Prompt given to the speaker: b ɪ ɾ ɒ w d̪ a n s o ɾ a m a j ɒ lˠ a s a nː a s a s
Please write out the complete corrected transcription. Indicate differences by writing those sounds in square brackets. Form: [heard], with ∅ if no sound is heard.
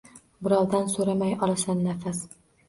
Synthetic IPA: b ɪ ɾ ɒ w d̪ a n s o ɾ a m a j ɒ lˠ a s a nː a [f] a s